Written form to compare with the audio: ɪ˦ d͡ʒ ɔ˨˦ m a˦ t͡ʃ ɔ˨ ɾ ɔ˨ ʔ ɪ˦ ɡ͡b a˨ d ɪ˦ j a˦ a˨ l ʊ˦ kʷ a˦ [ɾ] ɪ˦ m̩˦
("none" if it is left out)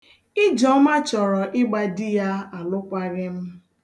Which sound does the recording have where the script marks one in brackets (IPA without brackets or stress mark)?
ɾ